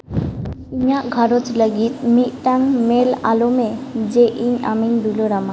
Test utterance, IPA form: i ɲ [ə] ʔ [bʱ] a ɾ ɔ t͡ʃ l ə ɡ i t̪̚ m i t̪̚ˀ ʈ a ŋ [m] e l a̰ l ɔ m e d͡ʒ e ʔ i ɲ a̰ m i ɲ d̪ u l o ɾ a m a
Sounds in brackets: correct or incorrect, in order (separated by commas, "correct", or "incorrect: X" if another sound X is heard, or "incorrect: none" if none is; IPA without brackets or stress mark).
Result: incorrect: a, incorrect: ɡʱ, correct